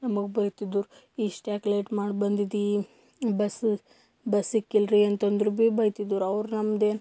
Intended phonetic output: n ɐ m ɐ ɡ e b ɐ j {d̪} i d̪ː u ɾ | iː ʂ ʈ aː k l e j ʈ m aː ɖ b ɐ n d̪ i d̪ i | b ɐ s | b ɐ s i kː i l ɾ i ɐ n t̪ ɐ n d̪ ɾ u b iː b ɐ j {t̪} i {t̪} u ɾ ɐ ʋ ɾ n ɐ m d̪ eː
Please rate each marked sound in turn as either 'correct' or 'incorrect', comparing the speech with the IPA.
incorrect, correct, incorrect

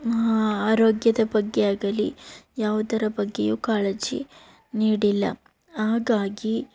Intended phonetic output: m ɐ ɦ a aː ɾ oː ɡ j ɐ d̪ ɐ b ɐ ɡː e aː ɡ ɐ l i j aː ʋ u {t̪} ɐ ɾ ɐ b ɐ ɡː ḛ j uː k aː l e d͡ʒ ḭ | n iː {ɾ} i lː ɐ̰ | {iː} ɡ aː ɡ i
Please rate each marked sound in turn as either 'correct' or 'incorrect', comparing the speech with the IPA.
incorrect, incorrect, incorrect

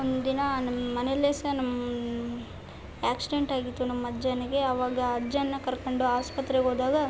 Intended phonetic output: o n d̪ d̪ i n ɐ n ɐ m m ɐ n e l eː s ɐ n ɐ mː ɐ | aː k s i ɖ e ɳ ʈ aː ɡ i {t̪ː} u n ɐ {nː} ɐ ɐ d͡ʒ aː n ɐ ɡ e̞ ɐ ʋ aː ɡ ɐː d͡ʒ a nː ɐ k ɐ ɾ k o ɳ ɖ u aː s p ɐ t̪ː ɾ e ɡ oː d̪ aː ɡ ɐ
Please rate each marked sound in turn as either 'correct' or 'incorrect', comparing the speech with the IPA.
correct, incorrect

